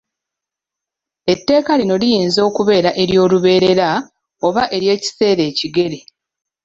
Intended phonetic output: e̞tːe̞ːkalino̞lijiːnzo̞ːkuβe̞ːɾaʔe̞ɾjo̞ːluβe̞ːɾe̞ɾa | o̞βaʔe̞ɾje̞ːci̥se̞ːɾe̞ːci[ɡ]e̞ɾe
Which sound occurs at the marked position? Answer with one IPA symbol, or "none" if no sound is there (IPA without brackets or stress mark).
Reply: ɡ